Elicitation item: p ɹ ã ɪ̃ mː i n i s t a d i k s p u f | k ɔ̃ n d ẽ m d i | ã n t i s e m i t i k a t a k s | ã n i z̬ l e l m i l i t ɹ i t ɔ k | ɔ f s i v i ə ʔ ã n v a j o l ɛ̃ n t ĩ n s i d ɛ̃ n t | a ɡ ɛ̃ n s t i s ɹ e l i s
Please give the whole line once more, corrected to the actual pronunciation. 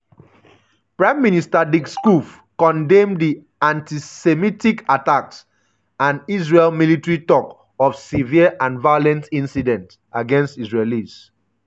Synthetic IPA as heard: p ɹ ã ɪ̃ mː i n i s t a d i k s k u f | k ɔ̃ n d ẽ m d i | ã n t i s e m i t i k a t a k s | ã n i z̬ ɹ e l m i l i t ɹ i t ɔ k | ɔ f s i v i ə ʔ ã n v a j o l ɛ̃ n t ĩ n s i d ɛ̃ n t | a ɡ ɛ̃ n s t i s ɹ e l i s

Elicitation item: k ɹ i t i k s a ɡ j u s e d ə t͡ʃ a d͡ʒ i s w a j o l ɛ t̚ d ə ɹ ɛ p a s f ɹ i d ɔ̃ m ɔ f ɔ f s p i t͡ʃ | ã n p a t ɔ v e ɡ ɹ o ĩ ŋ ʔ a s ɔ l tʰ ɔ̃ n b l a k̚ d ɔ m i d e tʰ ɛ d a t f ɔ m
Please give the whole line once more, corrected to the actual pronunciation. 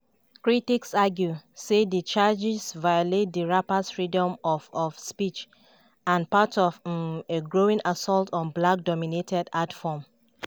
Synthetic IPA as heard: k ɹ i t i k s a ɡ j u s e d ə t͡ʃ a d͡ʒ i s v a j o l e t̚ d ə ɹ a p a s f ɹ i d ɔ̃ m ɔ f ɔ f s p i t͡ʃ | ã n p a t ɔ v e ɡ ɹ o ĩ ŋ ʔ a s ɔ l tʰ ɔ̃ n b l a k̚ d ɔ m i n e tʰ ɛ d a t f ɔ m

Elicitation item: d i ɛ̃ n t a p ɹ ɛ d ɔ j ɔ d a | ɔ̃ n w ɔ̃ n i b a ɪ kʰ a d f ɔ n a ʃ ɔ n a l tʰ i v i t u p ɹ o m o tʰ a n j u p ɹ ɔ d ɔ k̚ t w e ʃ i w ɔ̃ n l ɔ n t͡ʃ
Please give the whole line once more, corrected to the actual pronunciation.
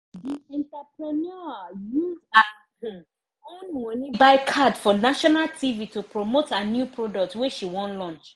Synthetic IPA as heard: d i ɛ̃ n t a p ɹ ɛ n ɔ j u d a | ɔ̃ n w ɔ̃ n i b a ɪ kʰ a d f ɔ n a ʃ ɔ n a l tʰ i v i t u p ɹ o m o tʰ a n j u p ɹ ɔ d ɔ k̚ t w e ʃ i w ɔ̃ n l ɔ̃ n t͡ʃ

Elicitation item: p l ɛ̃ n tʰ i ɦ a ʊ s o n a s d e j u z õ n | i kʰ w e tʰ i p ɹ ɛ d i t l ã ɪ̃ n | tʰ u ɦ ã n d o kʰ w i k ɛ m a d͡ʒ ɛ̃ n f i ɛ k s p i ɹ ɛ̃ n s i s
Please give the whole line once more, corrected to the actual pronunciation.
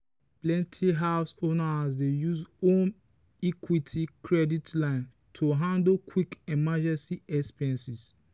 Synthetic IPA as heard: p l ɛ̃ n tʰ i ɦ a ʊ s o n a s d e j u z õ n | i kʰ w i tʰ i k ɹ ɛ d i t l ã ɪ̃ n | tʰ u ɦ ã n d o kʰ w i k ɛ m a d͡ʒ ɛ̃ n s i ɛ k s p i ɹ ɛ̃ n s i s

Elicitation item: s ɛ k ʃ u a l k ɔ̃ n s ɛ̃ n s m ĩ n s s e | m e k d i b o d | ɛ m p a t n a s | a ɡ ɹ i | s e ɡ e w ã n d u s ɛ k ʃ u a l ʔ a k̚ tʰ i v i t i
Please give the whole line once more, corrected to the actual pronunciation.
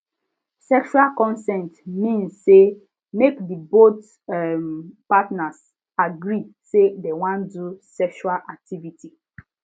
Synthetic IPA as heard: s ɛ k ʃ u a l k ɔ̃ n s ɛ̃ n t m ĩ n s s e | m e k d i b o t | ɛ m p a t n a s | a ɡ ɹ i | s e d e w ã n d u s ɛ k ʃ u a l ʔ a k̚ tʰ i v i t i

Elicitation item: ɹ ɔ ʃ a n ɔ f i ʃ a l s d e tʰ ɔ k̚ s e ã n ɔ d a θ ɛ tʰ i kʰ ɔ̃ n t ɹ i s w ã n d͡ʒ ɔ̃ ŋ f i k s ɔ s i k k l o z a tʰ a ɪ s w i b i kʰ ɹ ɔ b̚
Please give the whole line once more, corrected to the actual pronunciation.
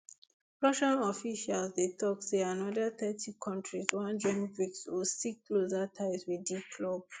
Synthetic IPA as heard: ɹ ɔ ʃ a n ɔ f i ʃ a l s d e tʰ ɔ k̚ s e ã n ɔ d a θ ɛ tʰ i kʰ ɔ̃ n t ɹ i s w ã n d͡ʒ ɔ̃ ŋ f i k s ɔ s i k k l o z a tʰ a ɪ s w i d i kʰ l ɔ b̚

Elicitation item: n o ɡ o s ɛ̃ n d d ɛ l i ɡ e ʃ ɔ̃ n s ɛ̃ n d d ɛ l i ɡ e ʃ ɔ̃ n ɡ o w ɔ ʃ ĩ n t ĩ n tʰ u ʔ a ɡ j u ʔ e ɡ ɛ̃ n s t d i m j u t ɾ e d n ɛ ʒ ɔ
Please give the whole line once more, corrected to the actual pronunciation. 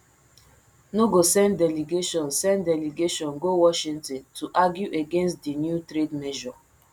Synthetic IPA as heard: n o ɡ o s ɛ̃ n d d ɛ l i ɡ e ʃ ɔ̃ n s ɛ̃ n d d ɛ l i ɡ e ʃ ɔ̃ n ɡ o w ɔ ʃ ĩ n t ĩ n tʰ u ʔ a ɡ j u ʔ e ɡ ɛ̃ n s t d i n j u t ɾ e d m ɛ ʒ ɔ

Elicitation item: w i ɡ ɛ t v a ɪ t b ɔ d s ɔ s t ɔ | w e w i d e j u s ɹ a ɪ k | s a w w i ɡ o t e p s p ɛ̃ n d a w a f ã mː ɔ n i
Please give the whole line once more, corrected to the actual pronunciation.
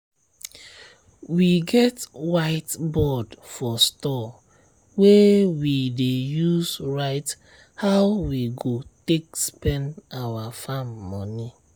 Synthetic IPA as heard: w i ɡ ɛ t w a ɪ t b ɔ d f ɔ s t ɔ | w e w i d e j u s ɹ a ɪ t | h a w w i ɡ o t e k s p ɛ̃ n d a w a f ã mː ɔ n i

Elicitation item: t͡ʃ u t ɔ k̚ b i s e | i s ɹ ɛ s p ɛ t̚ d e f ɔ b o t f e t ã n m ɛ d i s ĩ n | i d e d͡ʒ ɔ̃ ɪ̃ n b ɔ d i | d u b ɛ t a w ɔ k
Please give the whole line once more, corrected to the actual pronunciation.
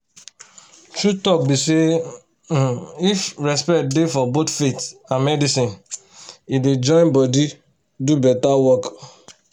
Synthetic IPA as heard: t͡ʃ u t ɔ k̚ b i s e | i f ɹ ɛ s p ɛ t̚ d e f ɔ b o t f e t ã n m ɛ d i s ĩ n | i d e d͡ʒ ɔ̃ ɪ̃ n b ɔ d i | d u b ɛ t a w ɔ k

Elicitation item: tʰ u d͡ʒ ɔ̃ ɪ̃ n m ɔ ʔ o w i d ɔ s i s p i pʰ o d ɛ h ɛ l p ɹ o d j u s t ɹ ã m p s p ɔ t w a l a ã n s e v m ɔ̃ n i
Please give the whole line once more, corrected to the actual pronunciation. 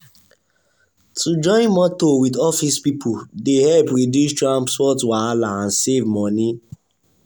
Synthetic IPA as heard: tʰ u d͡ʒ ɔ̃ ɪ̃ n m ɔ t o w i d ɔ f i s p i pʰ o d e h ɛ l p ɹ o d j u s t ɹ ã m p s p ɔ t w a l a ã n s e v m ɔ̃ n i

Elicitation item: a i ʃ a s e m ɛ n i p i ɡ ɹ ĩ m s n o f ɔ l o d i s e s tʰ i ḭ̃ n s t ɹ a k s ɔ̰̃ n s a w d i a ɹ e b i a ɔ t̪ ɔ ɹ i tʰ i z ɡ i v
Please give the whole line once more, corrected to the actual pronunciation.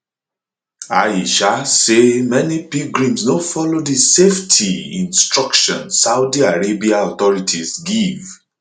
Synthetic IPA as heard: a i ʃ a s e m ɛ n i p i ɡ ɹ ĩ m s n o f ɔ l o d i s e f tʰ i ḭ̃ n s t ɹ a k ʃ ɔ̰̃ n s a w d i a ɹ e b i a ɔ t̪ ɔ ɹ i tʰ i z ɡ i v

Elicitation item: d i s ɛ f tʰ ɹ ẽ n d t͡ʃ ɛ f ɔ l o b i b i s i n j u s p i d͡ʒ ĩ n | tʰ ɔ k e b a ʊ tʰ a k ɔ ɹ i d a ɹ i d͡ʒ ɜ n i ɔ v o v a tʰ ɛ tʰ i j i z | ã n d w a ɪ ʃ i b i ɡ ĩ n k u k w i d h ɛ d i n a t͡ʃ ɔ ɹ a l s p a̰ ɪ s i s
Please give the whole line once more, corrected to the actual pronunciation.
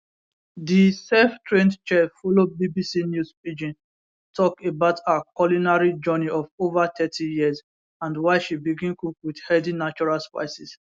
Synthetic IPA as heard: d i s ɛ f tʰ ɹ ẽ n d t͡ʃ ɛ f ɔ l o b i b i s i n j u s p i d͡ʒ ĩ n | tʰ ɔ k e b a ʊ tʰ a k ɔ l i n a ɹ i d͡ʒ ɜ n i ɔ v o v a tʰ ɛ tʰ i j i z | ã n d w a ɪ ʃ i b i ɡ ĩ n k u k w i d h ɛ d i n a t͡ʃ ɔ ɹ a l s p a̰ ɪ s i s

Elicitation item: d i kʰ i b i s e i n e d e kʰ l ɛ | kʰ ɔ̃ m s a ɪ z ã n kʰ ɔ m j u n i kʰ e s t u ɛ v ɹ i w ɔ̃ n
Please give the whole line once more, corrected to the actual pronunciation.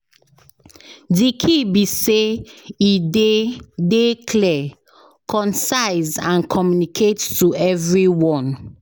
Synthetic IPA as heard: d i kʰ i b i s e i d e d e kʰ l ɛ | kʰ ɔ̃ n s a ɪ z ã n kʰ ɔ m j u n i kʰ e t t u ɛ v ɹ i w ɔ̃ n

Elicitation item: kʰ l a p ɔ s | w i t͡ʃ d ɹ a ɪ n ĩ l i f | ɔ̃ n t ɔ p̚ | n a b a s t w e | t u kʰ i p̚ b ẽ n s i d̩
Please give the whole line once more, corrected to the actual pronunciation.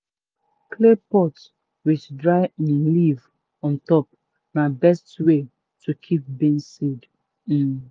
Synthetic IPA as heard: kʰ l e p ɔ t | w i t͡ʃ d ɹ a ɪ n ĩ l i v | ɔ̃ n t ɔ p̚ | n a b ɛ s t w e | t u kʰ i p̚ b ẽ n s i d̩

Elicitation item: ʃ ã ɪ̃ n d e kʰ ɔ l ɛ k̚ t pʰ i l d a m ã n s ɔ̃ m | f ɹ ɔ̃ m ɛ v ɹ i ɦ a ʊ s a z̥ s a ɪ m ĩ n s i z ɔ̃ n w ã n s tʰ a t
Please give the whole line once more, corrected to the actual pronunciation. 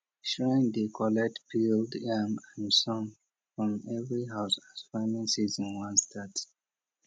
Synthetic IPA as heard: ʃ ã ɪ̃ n d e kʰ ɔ l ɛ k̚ t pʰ i l d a m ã n s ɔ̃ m | f ɹ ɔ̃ m ɛ v ɹ i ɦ a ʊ s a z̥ f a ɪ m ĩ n s i z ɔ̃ n w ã n s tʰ a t

